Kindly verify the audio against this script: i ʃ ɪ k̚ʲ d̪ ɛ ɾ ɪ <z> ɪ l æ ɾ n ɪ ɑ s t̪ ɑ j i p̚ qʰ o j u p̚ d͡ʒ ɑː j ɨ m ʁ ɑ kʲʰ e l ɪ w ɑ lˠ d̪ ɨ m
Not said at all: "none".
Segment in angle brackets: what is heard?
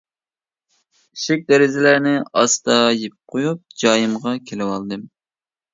z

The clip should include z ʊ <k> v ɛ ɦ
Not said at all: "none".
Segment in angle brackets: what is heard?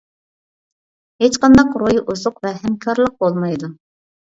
q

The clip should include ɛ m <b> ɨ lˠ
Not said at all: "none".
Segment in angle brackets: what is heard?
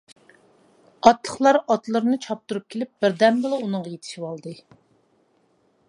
b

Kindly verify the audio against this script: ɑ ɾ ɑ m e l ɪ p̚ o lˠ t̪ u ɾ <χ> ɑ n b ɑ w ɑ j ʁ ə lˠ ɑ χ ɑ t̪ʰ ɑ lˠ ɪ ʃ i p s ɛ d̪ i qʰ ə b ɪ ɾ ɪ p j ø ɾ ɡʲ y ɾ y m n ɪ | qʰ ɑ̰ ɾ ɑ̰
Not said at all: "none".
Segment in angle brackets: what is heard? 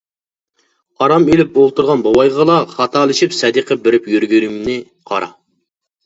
ʁ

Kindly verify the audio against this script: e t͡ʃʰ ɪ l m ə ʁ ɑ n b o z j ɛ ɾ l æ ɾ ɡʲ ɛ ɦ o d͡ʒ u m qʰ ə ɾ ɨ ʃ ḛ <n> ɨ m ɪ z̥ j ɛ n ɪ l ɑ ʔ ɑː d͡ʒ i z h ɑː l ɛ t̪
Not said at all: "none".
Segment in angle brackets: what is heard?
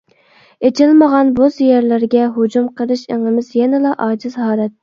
ŋ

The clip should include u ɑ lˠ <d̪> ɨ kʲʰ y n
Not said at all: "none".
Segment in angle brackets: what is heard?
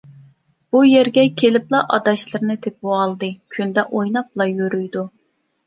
d̪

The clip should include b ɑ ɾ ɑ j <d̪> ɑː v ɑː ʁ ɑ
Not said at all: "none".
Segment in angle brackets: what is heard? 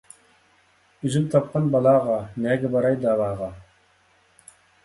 d̪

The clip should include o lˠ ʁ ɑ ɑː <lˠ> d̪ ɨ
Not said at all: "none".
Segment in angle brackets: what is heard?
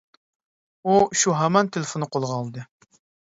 lˠ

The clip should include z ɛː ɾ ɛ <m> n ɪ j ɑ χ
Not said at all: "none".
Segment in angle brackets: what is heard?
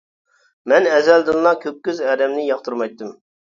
m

